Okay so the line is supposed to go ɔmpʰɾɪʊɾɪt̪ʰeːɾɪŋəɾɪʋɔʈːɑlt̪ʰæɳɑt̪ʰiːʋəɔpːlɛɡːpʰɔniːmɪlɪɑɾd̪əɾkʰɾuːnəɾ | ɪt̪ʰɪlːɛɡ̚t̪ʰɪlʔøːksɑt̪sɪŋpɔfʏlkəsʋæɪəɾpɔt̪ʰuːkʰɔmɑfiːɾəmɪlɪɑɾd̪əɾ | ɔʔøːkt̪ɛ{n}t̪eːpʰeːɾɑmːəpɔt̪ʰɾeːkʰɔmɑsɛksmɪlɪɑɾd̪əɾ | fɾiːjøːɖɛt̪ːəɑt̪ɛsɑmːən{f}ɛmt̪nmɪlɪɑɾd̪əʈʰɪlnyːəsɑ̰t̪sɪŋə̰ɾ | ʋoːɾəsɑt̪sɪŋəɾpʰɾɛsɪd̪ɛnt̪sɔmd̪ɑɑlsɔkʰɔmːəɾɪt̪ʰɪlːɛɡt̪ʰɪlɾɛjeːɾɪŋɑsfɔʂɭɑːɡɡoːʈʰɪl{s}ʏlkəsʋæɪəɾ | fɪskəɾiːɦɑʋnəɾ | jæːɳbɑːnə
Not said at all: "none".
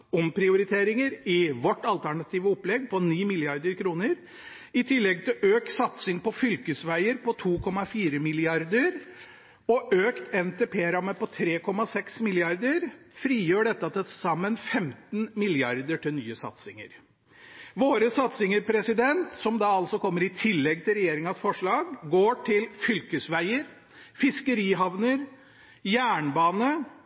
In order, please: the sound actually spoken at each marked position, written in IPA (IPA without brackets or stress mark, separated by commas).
n, f, f